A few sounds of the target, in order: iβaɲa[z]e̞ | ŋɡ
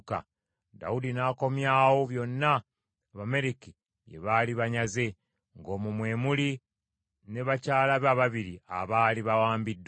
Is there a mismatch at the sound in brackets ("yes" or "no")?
no